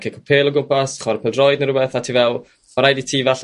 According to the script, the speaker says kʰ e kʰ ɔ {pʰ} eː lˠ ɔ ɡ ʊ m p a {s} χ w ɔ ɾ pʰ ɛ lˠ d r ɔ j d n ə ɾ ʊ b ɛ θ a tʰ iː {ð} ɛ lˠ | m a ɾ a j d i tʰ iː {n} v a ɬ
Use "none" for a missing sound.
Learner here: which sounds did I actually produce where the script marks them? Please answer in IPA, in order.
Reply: pʰ, s, v, none

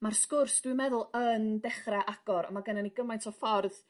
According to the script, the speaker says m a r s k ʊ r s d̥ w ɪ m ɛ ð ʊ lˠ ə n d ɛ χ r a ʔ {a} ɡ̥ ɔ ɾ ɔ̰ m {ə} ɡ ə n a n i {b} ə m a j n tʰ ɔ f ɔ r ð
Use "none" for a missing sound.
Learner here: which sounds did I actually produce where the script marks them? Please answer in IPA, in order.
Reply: a, a, ɡ

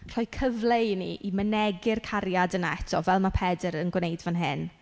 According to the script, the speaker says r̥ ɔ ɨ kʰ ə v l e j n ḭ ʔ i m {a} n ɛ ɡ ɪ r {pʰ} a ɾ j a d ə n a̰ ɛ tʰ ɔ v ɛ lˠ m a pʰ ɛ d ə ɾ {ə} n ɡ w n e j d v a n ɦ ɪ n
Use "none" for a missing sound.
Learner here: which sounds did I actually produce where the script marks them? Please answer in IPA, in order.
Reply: ə, kʰ, ə

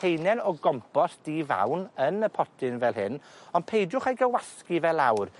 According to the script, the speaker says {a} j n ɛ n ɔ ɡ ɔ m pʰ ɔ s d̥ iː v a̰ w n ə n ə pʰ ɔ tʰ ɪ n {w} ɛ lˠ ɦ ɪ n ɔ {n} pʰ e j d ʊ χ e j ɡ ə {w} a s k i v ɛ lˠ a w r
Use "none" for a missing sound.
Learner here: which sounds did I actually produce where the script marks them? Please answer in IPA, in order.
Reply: e, v, n, w

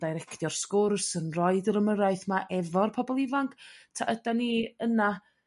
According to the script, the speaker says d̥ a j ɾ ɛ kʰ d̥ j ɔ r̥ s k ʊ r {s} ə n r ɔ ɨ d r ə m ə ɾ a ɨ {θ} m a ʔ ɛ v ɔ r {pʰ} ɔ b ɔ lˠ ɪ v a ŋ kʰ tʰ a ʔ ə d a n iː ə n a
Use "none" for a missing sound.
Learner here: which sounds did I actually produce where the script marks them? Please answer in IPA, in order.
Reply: s, θ, pʰ

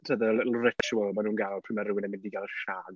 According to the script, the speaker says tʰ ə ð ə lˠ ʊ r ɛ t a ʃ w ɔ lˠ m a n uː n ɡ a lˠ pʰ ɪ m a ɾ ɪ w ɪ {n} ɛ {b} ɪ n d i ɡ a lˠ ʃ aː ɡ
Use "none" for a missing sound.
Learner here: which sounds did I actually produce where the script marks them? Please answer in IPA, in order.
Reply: n, m

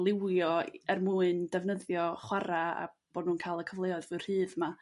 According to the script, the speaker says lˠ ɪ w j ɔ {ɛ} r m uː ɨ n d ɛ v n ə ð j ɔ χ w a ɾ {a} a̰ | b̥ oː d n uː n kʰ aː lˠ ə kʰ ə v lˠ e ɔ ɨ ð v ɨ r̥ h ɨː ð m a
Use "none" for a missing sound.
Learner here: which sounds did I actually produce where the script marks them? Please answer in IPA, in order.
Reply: ɛ, a

